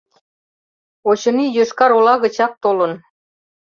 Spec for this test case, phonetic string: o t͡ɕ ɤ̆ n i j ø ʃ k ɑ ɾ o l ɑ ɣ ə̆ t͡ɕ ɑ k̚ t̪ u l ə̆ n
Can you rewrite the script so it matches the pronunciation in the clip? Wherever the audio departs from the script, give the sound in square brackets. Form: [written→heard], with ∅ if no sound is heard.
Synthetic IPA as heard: o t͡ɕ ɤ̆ n i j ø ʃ k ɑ ɾ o l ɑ ɣ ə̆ t͡ɕ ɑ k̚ t̪ [u→o] l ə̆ n